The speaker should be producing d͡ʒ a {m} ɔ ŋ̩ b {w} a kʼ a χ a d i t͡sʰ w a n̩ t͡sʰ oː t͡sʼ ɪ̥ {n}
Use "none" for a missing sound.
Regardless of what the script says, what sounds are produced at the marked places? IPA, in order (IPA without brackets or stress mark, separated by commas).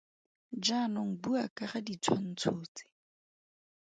n, u, none